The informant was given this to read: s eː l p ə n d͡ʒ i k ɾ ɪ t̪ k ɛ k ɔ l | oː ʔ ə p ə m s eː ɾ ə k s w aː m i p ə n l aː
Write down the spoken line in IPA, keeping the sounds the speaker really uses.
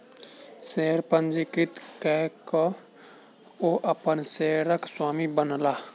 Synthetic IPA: s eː ɾ p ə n d͡ʒ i k ɾ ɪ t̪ k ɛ k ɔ | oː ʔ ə p ə n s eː ɾ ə k s w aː m i b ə n l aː